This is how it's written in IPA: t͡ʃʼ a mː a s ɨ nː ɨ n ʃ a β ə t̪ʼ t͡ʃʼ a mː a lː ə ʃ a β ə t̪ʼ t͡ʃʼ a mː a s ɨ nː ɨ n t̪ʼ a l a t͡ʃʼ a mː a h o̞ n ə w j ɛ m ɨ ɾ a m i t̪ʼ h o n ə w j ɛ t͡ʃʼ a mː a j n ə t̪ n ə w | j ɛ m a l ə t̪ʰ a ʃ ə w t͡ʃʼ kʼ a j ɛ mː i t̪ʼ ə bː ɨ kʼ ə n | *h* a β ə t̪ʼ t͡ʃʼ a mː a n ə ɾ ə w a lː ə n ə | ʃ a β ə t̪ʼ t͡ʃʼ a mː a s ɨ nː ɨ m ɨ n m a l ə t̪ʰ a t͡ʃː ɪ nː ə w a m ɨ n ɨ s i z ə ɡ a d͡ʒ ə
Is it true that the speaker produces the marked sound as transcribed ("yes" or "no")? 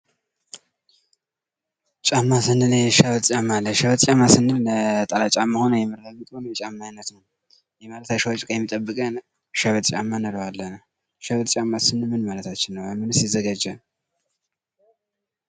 no